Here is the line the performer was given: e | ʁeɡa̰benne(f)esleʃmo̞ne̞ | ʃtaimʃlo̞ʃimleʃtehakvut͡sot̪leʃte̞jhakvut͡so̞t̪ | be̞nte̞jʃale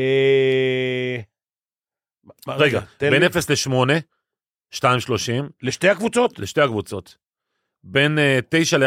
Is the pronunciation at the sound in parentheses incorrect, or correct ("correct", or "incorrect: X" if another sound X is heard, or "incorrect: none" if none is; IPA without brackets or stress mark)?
correct